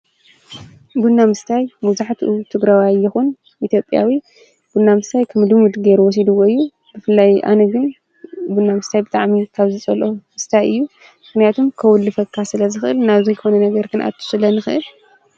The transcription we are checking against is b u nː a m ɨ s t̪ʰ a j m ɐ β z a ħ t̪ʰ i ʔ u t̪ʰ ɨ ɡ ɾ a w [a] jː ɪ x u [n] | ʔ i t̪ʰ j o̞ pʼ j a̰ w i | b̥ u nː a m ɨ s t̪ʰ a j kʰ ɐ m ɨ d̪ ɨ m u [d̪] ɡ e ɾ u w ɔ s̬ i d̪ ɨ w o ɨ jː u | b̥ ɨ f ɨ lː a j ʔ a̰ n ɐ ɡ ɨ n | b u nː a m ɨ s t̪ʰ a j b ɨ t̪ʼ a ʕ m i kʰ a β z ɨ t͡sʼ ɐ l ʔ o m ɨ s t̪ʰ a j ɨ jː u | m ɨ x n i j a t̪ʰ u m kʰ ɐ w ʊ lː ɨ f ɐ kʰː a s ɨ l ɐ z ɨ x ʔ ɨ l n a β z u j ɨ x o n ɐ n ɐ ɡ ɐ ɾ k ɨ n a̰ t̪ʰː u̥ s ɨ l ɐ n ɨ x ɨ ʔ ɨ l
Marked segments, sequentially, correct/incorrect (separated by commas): correct, correct, correct